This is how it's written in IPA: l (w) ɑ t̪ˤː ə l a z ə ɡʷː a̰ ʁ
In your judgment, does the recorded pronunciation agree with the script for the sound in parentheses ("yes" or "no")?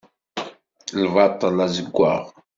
no